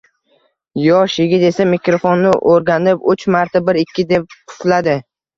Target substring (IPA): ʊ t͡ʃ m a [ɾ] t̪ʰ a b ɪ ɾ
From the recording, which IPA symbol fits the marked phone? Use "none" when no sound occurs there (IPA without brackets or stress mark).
ɾ